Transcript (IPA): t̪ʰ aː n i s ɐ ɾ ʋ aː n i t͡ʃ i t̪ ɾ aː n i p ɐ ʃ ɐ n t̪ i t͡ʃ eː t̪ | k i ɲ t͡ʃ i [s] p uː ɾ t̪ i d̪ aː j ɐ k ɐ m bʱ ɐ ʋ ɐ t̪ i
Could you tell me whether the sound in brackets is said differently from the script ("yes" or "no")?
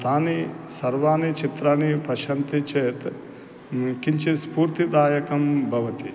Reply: no